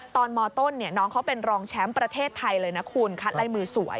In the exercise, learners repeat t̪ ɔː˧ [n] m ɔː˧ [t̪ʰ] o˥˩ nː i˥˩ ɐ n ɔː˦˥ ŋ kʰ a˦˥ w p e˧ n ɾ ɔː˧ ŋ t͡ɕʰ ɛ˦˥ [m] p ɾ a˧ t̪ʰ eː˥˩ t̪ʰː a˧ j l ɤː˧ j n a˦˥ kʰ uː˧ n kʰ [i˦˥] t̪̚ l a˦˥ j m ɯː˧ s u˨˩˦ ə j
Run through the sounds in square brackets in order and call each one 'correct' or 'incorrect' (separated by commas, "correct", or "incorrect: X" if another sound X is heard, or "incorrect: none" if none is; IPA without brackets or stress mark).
correct, incorrect: t̪, correct, incorrect: a˦˥